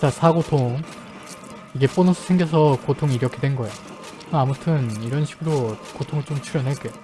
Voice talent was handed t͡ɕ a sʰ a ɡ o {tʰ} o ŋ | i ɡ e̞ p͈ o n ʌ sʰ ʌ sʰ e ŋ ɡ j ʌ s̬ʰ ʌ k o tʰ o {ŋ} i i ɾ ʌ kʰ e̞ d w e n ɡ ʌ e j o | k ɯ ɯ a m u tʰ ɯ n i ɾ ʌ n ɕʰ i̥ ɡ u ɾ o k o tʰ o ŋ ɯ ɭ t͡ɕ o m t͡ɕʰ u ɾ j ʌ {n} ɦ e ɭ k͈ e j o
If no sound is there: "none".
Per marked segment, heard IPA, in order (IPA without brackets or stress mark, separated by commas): tʰ, ŋ, n